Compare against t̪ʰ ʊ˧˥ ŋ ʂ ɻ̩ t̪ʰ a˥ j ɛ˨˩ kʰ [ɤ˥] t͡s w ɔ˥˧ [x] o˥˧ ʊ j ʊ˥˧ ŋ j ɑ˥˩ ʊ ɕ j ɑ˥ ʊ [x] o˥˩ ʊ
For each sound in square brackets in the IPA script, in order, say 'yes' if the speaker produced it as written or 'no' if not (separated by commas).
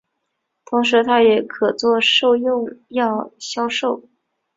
no, no, no